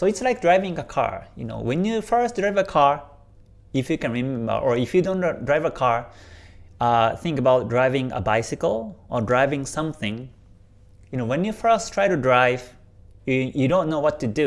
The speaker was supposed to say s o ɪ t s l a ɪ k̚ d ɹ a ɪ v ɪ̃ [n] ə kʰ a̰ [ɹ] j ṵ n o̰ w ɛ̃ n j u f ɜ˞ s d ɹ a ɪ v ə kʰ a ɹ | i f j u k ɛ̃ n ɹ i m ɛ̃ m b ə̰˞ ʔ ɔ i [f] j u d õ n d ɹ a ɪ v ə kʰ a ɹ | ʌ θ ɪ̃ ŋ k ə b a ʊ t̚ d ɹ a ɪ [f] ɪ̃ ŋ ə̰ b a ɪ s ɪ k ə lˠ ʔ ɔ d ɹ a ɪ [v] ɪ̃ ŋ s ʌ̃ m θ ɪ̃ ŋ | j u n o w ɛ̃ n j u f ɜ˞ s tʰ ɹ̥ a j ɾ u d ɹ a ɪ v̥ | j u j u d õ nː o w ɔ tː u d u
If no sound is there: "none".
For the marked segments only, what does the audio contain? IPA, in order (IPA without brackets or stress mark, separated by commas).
ŋ, ɹ, f, v, v